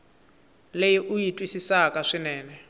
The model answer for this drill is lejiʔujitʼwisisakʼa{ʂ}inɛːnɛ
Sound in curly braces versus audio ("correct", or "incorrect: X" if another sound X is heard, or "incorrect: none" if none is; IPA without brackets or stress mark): correct